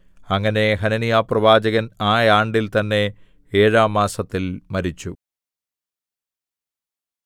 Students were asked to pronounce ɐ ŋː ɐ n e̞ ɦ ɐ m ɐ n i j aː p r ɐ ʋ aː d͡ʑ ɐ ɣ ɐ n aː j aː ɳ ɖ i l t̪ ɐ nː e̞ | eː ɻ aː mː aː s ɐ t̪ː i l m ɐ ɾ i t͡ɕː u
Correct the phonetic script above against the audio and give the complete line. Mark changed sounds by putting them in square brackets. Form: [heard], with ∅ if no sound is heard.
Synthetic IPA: ɐ ŋː ɐ n e̞ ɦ ɐ [n] ɐ n i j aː p r ɐ ʋ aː d͡ʑ ɐ ɣ ɐ n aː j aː ɳ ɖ i l t̪ ɐ nː e̞ | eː ɻ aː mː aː s ɐ t̪ː i l m ɐ ɾ i t͡ɕː u